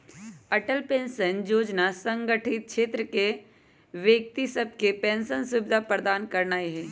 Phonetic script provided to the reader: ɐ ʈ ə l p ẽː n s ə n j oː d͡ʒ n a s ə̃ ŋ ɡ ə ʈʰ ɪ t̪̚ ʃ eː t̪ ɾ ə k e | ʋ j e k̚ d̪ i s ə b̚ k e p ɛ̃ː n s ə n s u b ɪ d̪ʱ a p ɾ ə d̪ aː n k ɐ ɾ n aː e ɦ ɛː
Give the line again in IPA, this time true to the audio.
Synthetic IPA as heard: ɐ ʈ ə l p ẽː n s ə n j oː d͡ʒ n a s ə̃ ŋ ɡ ə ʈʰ ɪ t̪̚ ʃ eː t̪ ɾ ə k e | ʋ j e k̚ t̪ i s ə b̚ k e p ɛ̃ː n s ə n s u b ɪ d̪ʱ a p ɾ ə d̪ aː n k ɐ ɾ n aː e ɦ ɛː